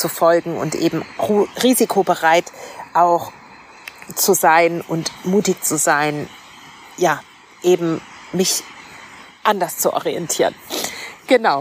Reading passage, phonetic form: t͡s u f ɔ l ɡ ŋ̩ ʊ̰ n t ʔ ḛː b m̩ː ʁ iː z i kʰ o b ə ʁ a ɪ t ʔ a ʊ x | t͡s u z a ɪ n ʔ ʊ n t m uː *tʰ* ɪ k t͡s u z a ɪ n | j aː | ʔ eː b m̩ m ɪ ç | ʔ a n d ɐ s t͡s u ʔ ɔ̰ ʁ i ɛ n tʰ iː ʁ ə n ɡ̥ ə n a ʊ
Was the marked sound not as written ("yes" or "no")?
yes